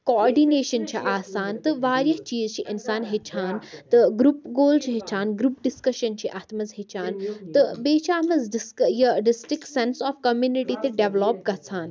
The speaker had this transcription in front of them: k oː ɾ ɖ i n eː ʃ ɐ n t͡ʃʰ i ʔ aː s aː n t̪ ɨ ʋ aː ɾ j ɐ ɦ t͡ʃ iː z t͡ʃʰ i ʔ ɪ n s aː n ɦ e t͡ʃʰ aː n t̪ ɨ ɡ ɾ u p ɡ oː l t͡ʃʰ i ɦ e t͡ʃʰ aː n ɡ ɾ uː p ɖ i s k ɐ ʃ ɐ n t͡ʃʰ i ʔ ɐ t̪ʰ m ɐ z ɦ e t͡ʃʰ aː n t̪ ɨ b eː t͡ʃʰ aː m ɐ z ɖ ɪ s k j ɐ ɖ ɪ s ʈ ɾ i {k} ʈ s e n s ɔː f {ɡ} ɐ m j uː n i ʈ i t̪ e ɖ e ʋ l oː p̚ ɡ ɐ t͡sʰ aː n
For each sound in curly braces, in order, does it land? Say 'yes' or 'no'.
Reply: yes, no

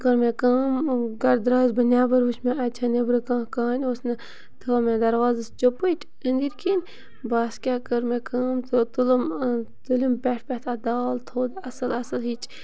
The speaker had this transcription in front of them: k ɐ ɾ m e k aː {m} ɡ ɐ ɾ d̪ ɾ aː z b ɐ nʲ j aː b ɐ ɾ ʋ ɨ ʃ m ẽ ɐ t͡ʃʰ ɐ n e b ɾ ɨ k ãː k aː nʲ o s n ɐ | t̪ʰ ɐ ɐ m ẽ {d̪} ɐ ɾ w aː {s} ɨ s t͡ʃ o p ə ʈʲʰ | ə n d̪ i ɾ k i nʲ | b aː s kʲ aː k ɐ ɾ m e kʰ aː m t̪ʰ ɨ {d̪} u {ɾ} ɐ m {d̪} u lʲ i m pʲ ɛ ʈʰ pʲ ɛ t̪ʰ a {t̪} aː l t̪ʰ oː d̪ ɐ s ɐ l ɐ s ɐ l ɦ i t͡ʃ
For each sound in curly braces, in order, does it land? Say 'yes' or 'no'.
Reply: yes, yes, no, no, no, no, no

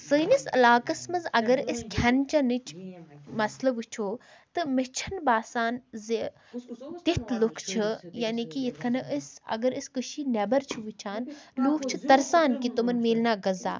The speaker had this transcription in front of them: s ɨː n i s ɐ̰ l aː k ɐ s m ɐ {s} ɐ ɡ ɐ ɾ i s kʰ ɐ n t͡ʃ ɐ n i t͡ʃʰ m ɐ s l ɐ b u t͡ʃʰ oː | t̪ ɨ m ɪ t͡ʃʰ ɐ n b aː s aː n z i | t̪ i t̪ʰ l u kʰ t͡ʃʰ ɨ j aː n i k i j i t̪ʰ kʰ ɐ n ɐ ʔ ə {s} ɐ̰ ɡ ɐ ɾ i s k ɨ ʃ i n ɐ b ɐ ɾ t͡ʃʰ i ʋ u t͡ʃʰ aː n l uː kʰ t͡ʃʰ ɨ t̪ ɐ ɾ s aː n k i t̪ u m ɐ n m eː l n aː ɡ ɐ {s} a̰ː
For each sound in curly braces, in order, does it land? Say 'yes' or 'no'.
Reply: no, yes, no

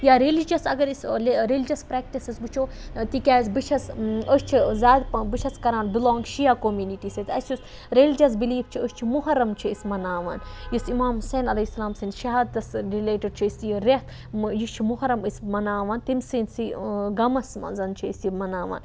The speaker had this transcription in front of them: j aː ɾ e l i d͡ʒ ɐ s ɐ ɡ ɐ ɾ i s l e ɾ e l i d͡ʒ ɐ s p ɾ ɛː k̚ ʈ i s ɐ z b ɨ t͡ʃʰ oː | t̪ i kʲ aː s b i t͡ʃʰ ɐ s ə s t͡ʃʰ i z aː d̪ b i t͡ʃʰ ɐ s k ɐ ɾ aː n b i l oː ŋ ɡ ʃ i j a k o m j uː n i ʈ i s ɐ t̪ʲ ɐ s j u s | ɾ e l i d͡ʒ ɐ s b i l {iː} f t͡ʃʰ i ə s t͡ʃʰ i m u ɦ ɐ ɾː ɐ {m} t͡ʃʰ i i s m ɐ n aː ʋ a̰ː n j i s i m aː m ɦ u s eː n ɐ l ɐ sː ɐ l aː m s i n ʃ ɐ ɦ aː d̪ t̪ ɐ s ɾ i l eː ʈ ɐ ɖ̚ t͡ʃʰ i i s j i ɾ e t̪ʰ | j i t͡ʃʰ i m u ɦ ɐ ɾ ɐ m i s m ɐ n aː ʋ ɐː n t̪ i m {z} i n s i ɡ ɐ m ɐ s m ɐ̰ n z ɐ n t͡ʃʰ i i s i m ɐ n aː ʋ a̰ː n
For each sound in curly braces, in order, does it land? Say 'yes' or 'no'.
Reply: yes, yes, no

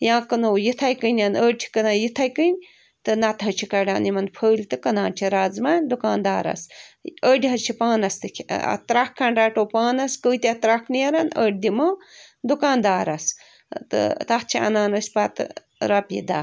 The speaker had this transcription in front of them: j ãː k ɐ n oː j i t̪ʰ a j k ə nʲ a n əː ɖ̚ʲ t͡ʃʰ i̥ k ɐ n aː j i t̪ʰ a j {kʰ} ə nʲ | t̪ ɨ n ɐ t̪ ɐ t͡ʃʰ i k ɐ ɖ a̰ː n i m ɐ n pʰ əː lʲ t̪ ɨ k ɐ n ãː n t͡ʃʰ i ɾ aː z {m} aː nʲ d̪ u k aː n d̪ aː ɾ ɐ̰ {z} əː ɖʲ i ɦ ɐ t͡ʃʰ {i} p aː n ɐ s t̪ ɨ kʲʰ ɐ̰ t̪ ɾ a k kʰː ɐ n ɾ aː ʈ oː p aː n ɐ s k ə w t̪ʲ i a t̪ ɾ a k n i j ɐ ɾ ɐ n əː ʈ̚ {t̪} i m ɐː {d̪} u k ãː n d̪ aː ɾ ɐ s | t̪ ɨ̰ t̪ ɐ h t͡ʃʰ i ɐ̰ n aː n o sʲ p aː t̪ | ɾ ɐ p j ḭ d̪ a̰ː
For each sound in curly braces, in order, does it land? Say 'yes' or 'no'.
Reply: no, yes, no, yes, no, yes

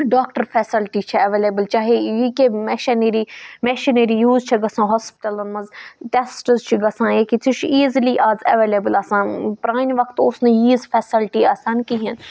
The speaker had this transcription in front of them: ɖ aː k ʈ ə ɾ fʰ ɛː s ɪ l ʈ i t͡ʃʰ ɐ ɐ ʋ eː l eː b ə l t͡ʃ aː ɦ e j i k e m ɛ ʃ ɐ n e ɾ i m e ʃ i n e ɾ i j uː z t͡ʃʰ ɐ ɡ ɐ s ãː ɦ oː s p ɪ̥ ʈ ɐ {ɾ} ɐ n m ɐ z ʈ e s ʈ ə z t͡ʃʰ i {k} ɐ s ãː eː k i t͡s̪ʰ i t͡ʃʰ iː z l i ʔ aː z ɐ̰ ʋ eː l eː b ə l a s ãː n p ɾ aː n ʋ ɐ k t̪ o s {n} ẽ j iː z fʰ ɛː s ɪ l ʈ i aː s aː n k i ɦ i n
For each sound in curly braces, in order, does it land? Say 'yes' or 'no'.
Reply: no, no, yes

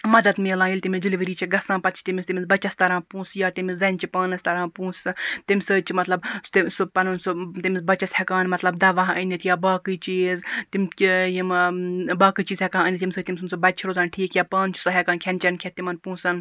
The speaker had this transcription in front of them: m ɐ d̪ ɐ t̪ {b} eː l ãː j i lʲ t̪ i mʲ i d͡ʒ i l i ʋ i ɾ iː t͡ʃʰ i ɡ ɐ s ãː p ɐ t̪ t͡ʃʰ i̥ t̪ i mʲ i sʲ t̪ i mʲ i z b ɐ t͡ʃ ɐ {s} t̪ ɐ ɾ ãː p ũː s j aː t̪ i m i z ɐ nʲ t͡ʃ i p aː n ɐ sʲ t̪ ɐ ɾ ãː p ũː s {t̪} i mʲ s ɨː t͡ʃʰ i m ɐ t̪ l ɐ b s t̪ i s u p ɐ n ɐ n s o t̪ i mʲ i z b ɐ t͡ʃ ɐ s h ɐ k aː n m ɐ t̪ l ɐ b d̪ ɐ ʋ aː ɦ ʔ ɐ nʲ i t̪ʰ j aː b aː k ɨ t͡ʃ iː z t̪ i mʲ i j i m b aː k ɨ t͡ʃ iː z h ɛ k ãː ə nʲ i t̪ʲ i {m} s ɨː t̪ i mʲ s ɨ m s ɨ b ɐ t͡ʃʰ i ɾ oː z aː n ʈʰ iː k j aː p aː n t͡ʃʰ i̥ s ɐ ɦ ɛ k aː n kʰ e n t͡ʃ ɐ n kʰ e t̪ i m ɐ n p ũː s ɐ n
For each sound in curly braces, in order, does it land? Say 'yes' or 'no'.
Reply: no, yes, yes, yes

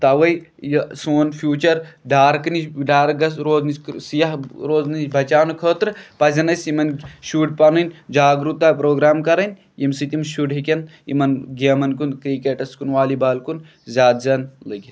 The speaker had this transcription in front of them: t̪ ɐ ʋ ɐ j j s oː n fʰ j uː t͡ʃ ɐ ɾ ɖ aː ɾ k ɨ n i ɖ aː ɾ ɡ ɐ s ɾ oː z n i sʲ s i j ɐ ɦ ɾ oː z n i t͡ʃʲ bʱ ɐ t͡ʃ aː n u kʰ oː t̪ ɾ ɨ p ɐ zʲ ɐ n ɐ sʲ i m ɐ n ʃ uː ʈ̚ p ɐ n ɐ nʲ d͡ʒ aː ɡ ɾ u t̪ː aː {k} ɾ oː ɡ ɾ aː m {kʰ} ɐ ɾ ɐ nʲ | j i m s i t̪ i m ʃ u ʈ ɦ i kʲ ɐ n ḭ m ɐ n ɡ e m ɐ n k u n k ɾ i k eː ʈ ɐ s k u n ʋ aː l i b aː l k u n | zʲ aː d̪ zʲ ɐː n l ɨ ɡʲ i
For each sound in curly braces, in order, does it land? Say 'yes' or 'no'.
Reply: no, no

